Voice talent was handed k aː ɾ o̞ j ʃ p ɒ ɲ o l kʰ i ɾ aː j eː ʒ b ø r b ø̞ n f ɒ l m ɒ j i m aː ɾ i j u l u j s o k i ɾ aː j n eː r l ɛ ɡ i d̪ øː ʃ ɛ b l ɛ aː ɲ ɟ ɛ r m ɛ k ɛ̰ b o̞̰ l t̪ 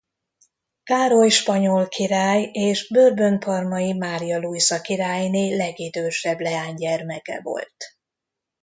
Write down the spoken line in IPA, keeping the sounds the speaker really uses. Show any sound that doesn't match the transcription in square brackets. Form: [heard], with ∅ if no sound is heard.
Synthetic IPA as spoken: k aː ɾ o̞ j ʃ p ɒ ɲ o l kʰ i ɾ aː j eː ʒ b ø r b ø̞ n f ɒ [r] m ɒ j i m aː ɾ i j [ɒ] l u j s [ɒ] k i ɾ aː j n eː [∅] l ɛ ɡ i d̪ øː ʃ ɛ b l ɛ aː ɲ ɟ ɛ r m ɛ k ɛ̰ [v] o̞̰ l t̪